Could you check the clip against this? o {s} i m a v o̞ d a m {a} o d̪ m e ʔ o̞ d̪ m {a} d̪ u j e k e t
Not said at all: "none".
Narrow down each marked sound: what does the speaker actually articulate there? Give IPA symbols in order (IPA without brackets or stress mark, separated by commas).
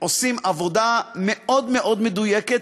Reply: s, e, e